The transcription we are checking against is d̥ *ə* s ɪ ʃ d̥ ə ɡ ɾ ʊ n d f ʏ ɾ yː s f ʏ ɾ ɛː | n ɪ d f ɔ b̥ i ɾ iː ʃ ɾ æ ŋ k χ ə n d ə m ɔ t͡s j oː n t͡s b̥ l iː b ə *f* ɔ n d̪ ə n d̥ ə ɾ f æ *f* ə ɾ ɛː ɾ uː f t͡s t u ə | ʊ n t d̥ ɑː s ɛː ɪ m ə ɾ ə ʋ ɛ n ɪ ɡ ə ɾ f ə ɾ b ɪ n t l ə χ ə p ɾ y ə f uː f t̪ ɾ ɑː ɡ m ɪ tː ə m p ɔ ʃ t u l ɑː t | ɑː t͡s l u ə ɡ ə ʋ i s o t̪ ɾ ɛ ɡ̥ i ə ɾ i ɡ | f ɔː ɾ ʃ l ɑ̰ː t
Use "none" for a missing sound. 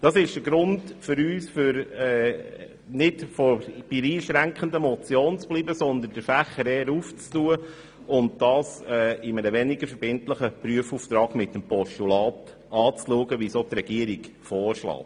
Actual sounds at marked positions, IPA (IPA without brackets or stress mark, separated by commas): ɑ, s, χ